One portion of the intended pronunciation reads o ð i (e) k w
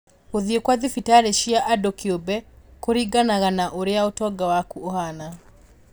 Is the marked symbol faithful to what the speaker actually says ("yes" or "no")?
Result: yes